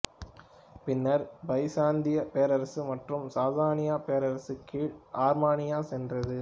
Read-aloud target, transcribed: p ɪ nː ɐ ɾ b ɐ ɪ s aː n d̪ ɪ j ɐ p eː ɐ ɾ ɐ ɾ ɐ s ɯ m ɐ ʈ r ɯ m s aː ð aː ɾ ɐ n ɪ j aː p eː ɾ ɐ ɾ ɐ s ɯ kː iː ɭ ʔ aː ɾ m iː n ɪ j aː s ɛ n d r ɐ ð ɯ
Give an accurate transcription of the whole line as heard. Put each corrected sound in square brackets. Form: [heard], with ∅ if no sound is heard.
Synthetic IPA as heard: p ɪ nː ɐ ɾ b ɐ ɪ s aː n d̪ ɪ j ɐ p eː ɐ ɾ ɐ ɾ ɐ s ɯ m ɐ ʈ r ɯ m s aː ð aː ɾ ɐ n ɪ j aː p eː ɾ ɐ ɾ ɐ s ɯ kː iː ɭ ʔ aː ɾ m [aː] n ɪ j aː s ɛ n d r ɐ ð ɯ